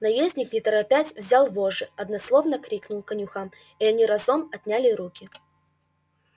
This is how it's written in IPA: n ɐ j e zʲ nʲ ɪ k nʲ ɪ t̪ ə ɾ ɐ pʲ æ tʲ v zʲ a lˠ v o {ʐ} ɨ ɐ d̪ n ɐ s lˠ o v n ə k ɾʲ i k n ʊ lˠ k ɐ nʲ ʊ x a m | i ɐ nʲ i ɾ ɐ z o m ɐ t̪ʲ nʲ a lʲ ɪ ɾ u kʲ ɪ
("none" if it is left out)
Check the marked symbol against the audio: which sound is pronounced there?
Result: ʐ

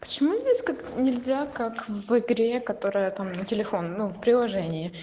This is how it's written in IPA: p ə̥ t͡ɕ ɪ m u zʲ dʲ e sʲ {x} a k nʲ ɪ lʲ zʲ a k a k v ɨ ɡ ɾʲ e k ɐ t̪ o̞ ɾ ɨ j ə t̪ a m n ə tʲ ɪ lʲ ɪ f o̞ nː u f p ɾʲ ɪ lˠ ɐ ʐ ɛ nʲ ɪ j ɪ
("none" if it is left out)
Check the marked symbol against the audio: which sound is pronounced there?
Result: k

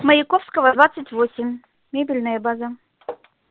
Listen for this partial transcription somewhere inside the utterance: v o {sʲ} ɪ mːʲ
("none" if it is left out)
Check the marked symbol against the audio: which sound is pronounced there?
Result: sʲ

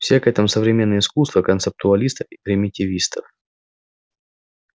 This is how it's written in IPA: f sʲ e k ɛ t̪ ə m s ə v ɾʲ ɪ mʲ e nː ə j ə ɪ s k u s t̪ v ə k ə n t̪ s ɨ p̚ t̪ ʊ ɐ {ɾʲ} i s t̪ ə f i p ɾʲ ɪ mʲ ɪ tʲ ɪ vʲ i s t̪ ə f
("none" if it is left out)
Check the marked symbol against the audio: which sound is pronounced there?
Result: lʲ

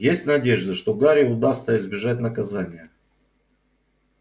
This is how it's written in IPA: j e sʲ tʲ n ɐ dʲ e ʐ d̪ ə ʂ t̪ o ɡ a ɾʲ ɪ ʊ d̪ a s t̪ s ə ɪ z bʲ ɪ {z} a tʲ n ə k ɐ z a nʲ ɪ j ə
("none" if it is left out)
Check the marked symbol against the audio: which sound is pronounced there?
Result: ʐ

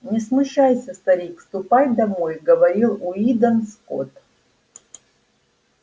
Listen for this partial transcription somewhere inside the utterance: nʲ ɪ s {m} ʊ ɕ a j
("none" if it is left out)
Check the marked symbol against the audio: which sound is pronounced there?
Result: m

